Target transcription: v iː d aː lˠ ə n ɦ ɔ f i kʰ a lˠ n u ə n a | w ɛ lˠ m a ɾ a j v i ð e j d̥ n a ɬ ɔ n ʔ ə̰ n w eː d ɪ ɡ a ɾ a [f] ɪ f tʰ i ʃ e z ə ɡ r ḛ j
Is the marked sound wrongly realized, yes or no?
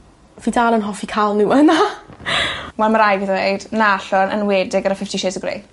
no